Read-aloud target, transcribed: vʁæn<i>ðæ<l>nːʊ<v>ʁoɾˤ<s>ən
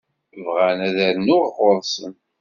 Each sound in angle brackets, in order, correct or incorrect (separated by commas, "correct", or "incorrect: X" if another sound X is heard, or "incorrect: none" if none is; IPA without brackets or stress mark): incorrect: æ, incorrect: ɾ, incorrect: ʁ, correct